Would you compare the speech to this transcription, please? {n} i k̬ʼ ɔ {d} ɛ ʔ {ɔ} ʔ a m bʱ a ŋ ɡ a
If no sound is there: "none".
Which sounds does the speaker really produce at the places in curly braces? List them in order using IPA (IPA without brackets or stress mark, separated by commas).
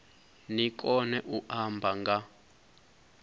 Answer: n, n, u